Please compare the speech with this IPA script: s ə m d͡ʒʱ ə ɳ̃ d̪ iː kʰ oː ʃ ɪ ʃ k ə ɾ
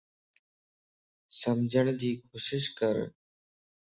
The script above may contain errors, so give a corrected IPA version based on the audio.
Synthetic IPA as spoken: s ə m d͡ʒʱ ə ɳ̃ d̪ iː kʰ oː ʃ ɪ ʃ k ə ɾ